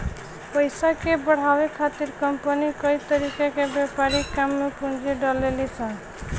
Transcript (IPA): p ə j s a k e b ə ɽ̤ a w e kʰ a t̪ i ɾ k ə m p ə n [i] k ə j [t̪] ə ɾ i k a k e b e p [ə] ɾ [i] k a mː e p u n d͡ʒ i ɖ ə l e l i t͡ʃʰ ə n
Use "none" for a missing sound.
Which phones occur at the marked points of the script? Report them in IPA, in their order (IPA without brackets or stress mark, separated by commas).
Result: i, t̪, a, i